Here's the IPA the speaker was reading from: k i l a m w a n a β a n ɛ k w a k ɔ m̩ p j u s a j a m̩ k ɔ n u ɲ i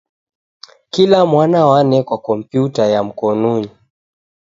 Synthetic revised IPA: k i l a m w a n a w a n ɛ k w a k ɔ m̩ p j u t a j a m̩ k ɔ n u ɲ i